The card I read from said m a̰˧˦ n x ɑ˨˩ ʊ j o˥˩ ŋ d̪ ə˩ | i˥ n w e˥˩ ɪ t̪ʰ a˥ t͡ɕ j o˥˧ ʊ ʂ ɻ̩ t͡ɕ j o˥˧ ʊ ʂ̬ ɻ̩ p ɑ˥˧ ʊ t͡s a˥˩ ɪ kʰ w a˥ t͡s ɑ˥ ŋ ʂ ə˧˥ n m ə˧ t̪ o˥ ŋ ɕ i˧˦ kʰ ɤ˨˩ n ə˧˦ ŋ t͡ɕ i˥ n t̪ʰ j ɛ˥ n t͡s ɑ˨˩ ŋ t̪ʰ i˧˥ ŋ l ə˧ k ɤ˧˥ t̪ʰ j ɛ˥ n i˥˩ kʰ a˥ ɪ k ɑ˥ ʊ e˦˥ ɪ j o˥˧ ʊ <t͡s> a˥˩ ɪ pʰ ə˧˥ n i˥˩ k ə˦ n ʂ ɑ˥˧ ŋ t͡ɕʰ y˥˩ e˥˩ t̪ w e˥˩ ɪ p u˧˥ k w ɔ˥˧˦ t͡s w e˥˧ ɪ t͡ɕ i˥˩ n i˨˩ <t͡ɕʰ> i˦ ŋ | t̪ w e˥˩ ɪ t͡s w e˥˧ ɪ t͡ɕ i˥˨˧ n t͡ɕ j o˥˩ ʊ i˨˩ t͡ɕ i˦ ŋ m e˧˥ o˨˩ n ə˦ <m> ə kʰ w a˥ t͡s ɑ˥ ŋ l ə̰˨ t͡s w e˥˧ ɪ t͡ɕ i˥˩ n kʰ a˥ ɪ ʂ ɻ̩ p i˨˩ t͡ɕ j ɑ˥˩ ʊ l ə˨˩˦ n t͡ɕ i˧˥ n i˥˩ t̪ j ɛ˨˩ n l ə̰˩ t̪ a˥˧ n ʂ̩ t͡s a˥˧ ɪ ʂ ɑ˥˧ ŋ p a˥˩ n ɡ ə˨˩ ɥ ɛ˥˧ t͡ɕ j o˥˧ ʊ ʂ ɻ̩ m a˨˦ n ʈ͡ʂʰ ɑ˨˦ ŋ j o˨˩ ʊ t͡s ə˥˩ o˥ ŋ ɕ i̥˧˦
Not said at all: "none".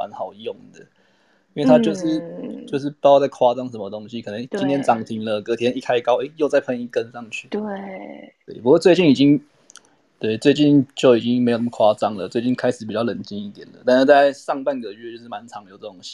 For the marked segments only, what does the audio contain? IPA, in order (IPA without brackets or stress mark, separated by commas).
t͡s, t͡ɕ, m